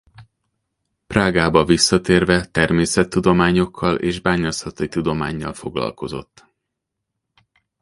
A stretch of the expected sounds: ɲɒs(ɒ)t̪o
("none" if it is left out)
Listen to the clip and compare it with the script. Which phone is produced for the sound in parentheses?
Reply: ɒ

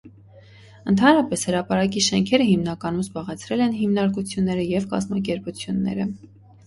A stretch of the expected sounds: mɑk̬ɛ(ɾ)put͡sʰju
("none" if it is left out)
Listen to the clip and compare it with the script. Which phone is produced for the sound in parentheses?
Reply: ɾ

